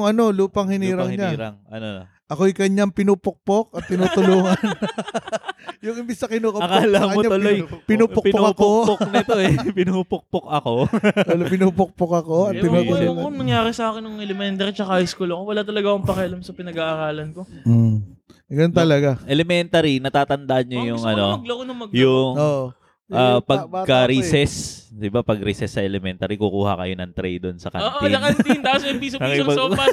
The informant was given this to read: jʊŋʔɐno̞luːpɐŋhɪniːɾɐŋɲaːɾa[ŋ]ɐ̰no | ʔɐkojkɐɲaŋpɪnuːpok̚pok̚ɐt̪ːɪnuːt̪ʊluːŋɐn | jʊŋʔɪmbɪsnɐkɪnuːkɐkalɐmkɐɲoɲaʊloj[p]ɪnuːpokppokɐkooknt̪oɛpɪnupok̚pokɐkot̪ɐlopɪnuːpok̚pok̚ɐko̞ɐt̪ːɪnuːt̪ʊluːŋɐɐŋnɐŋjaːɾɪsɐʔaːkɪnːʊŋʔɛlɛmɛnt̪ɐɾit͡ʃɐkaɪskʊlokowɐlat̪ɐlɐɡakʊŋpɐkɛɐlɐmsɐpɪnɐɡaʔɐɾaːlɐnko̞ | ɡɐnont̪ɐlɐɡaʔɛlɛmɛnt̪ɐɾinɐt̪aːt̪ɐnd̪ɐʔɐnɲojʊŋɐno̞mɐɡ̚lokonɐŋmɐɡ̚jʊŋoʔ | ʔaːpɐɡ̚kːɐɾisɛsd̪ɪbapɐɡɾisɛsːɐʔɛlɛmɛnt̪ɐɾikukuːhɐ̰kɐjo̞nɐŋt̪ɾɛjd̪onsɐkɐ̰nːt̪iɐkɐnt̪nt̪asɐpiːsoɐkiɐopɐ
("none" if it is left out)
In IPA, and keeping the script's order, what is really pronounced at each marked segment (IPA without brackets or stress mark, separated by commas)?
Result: ŋ, p